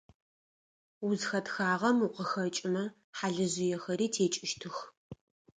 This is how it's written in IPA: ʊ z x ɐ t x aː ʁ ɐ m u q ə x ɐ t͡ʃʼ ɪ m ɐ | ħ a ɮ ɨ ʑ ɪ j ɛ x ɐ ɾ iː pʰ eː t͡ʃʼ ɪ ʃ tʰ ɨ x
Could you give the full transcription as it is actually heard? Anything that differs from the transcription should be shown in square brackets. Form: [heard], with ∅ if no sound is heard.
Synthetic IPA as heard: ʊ z x ɐ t x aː ʁ ɐ m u q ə x ɐ t͡ʃʼ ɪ m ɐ | ħ a ɮ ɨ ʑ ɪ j ɛ x ɐ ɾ iː [tʰ] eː t͡ʃʼ ɪ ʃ tʰ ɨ x